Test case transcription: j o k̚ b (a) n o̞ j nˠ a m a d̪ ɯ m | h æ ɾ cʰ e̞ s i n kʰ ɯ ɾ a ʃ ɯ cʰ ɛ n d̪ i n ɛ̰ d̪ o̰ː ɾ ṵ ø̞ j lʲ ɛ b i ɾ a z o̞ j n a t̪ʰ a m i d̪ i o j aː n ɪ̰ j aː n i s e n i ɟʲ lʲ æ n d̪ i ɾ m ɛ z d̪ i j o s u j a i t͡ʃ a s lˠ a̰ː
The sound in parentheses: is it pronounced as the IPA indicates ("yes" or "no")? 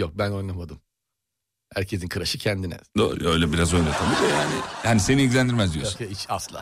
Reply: no